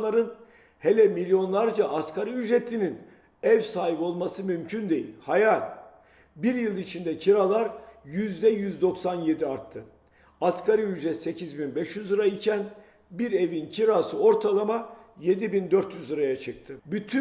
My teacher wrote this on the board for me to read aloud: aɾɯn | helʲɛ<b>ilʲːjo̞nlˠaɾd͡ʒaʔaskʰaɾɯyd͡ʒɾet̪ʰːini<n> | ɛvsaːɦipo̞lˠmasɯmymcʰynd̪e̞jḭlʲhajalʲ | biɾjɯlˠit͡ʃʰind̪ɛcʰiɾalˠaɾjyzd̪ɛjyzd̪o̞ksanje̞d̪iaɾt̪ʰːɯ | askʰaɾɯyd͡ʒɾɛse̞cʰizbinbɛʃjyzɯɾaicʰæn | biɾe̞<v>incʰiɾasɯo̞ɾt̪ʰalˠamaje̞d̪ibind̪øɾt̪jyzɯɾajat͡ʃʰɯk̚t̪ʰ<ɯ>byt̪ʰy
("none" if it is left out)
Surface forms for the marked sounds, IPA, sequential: m, n, v, ɯ

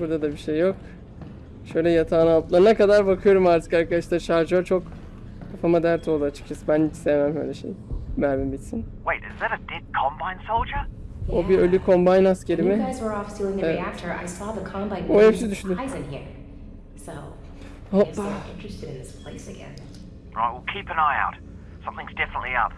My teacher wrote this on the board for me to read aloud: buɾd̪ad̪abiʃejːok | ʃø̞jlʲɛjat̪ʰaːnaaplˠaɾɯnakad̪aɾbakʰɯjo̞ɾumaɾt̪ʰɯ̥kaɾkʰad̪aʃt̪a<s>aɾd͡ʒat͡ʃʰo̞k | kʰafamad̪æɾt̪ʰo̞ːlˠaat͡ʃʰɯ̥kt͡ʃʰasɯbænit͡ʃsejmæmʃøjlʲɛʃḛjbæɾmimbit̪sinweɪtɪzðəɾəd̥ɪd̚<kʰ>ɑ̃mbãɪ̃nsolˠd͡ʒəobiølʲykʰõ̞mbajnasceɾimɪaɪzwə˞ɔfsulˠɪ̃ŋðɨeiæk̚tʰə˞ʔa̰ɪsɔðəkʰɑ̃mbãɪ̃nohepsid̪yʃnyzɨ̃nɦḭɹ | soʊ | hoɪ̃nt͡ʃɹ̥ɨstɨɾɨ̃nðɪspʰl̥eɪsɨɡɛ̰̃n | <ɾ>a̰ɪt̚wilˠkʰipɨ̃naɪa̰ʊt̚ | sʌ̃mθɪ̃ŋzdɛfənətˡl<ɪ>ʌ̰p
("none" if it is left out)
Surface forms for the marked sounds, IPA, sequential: ʃ, kʰ, ɹ, i

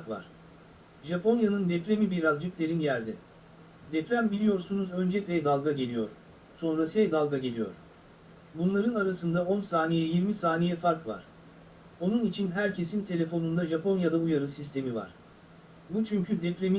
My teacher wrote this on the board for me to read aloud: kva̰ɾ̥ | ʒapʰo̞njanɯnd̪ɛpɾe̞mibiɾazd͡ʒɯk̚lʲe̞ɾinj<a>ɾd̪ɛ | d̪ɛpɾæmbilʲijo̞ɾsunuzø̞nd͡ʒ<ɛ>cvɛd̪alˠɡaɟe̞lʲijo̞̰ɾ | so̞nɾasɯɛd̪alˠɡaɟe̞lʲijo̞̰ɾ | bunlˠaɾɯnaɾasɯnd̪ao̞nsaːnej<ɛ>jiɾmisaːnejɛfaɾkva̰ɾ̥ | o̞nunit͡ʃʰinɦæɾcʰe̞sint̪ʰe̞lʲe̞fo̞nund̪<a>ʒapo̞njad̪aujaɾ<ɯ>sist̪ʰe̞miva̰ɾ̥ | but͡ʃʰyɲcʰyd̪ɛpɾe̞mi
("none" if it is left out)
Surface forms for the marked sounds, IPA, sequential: æ, ɛ, ɛ, a, ɯ

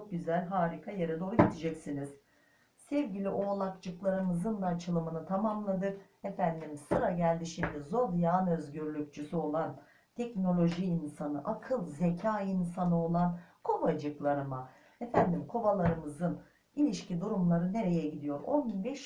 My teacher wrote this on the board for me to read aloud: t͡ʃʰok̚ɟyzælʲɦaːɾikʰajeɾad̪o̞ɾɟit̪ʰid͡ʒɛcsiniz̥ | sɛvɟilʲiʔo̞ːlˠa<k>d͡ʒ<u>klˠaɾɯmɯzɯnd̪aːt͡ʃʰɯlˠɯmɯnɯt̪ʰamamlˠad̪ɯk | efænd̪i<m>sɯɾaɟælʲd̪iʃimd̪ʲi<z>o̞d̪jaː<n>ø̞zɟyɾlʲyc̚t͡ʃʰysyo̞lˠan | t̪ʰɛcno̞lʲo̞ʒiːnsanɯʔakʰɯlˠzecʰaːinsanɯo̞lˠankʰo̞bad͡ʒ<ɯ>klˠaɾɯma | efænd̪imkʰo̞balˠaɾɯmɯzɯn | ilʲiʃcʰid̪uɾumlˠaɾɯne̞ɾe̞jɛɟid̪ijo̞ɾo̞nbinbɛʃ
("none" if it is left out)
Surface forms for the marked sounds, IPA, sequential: k, ɯ, m, z, n, ɯ

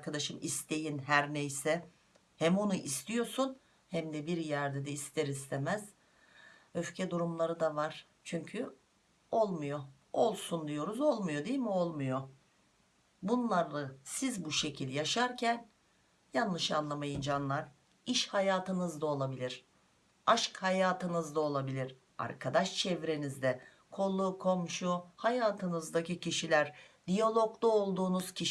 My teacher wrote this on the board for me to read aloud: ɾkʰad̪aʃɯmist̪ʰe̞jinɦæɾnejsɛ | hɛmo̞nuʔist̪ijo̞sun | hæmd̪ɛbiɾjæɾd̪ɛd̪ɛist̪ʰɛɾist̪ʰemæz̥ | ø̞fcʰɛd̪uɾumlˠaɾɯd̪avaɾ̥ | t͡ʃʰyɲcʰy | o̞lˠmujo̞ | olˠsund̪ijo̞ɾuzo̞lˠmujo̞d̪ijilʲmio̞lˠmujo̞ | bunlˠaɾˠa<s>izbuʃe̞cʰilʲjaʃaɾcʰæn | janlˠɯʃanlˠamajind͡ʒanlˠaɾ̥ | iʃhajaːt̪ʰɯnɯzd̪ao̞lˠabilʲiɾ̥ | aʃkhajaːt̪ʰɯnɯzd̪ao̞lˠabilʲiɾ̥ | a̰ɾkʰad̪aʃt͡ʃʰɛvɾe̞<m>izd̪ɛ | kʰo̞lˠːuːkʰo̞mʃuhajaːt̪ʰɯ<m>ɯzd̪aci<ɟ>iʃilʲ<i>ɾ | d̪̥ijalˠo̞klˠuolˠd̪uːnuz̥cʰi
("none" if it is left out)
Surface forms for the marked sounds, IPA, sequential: s, n, n, c, æ

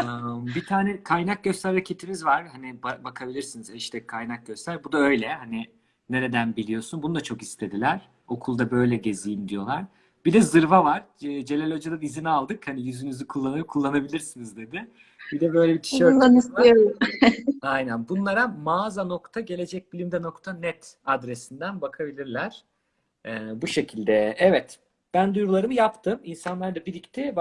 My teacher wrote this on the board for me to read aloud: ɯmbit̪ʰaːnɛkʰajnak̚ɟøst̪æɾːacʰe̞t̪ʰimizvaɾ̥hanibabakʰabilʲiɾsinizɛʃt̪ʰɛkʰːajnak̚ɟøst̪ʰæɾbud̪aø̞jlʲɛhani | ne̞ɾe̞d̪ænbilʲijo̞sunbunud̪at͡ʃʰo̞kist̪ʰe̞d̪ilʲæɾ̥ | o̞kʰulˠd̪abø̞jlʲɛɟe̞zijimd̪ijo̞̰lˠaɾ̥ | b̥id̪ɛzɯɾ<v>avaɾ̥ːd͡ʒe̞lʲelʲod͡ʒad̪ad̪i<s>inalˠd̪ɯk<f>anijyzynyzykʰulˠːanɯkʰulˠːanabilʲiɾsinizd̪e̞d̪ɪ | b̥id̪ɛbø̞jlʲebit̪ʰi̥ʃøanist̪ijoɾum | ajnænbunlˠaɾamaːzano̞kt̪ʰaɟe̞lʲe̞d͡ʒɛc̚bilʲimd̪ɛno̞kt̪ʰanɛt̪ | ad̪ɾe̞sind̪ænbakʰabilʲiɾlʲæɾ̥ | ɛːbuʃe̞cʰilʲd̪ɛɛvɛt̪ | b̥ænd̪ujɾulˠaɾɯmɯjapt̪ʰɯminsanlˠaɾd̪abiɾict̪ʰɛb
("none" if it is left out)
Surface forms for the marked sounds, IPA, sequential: v, z, h

